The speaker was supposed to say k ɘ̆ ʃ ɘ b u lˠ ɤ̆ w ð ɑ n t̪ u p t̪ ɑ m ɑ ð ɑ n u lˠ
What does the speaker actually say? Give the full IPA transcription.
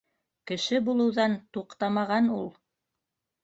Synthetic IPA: k ɘ̆ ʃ ɘ b u lˠ ɤ̆ w ð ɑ n t̪ u q t̪ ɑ m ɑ ʁ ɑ n u lˠ